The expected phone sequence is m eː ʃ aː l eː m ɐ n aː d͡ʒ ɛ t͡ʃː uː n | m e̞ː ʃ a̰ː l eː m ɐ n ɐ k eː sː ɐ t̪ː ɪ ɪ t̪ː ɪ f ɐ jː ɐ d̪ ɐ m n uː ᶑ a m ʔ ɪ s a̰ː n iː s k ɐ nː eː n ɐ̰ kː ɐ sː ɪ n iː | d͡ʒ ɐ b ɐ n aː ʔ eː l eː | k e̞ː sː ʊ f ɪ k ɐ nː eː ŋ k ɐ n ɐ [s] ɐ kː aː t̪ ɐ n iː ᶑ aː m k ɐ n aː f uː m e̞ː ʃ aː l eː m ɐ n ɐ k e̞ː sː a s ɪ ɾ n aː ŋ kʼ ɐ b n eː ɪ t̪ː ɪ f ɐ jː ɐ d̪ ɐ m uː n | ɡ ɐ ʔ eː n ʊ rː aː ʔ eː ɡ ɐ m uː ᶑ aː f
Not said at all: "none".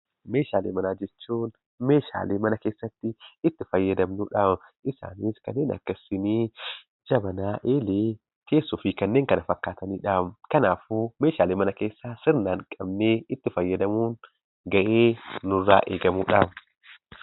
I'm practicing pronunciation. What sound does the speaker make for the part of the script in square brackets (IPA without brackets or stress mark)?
f